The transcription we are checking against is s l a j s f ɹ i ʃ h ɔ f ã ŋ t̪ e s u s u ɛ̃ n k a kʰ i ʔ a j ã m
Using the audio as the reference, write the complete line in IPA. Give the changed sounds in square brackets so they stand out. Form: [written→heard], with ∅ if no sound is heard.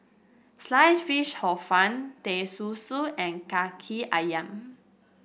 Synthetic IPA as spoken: s l a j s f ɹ i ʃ h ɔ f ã [ŋ→n] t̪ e s u s u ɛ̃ n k a kʰ i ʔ a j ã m